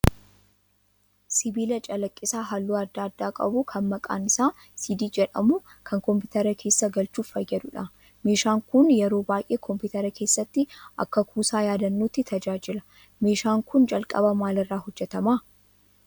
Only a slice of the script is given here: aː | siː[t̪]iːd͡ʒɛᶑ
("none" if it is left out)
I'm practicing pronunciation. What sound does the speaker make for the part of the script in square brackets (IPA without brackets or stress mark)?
d̪